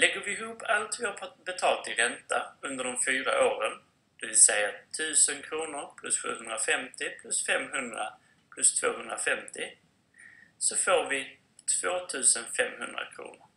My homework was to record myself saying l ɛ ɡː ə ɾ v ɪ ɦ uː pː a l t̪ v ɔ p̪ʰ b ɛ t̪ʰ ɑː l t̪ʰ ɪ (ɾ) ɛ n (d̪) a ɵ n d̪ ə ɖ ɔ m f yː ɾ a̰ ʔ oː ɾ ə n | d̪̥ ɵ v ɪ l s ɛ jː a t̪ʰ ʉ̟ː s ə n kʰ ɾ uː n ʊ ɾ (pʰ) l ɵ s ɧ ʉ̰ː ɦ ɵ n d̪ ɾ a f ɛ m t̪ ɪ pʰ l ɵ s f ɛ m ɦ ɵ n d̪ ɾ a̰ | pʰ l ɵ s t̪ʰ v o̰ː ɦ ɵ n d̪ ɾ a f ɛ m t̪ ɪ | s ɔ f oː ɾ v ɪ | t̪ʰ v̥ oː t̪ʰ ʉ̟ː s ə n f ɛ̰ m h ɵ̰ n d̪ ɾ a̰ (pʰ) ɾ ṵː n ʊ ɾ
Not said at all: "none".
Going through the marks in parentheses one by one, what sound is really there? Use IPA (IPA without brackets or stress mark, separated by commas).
ɾ, t̪, pʰ, kʰ